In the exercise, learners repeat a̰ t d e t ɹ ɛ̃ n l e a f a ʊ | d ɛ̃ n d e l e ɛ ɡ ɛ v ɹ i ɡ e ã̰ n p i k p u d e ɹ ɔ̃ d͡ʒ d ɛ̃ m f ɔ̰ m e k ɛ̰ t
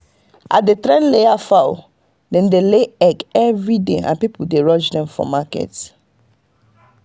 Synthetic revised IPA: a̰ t d e t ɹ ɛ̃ n l e a f a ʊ | d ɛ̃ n d e l e ɛ ɡ ɛ v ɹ i d e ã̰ n p i p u d e ɹ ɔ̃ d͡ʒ d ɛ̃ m f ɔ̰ m a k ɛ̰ t